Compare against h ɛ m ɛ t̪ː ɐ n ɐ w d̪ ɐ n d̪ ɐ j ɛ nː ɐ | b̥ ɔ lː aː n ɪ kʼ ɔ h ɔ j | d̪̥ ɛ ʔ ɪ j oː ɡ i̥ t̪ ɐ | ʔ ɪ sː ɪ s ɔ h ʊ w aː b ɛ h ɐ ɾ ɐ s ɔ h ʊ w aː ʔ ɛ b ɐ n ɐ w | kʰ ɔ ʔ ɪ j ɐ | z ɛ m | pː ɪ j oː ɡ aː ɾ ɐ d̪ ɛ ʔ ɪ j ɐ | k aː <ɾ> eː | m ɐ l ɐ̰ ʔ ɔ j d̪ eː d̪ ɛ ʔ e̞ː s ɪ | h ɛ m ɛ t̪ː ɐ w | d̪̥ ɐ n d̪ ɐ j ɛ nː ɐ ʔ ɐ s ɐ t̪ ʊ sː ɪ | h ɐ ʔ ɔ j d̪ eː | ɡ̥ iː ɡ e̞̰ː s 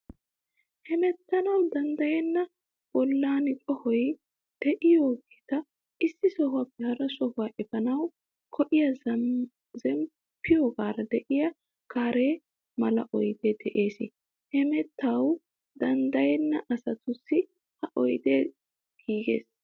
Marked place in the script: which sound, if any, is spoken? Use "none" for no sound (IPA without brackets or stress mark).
ɾ